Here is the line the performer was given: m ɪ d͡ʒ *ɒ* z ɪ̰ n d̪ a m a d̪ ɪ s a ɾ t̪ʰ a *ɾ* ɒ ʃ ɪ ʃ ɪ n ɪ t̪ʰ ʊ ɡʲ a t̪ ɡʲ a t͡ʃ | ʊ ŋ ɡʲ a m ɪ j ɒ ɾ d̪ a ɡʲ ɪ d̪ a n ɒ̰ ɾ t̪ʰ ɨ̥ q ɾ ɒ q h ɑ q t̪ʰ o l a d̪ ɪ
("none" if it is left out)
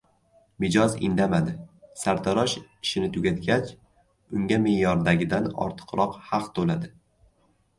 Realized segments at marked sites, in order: ɒ, ɾ

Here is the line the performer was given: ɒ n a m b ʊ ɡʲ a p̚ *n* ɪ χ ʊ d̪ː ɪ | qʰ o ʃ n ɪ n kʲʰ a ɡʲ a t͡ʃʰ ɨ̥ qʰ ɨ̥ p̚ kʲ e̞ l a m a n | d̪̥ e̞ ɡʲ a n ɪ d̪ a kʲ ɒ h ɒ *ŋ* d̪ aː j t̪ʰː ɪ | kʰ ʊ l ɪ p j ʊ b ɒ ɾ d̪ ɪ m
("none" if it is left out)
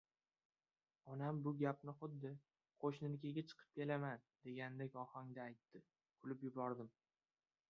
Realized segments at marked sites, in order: n, ŋ

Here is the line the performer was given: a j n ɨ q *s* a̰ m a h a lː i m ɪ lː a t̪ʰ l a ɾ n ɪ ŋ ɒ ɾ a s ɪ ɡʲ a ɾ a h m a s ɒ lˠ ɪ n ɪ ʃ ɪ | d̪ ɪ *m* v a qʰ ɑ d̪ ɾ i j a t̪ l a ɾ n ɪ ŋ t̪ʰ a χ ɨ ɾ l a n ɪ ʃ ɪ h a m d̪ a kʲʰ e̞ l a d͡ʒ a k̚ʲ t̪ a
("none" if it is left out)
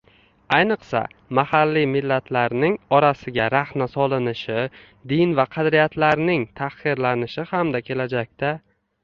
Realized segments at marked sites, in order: s, n

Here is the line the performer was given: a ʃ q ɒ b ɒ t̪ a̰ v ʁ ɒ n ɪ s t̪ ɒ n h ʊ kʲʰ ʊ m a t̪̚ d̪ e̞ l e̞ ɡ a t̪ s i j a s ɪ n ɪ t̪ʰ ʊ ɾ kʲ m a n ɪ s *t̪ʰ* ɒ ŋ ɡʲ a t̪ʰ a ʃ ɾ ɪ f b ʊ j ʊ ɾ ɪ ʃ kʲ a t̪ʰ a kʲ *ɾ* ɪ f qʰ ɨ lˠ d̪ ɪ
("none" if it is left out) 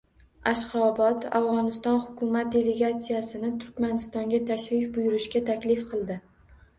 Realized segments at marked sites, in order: t̪, l

